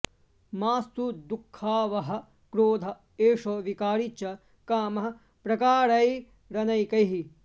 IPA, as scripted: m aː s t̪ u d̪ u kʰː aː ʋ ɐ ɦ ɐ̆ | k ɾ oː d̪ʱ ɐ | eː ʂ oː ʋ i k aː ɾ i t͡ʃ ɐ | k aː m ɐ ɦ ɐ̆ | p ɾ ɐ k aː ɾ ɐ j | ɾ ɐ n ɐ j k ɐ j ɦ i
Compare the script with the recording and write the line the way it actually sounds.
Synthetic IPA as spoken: m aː s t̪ u d̪ u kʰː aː ʋ ɐ ɦ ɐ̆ | k ɾ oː d̪ʱ ɐ | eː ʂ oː ʋ i k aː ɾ i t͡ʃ ɐ | k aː m ɐ ɦ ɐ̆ | p ɾ ɐ k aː ɾ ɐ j | ɾ ɐ n ɐ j k ɐ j ɦ i

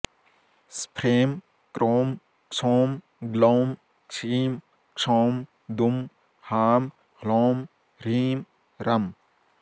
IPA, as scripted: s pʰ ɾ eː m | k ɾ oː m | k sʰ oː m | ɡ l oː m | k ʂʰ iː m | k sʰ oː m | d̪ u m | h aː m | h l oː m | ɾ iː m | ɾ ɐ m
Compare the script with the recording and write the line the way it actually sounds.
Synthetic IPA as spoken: s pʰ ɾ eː m | k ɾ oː m | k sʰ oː m | ɡ l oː m | k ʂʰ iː m | k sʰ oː m | d̪ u m | h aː m | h l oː m | ɾ iː m | ɾ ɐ m

